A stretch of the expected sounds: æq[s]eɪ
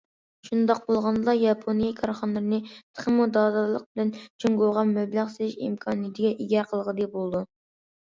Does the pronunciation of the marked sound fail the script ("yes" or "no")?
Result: no